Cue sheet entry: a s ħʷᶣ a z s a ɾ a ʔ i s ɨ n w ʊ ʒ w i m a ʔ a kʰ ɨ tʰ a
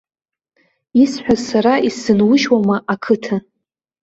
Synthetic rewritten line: i s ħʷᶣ a z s a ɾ a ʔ i s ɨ n w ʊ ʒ w a m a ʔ a kʰ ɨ tʰ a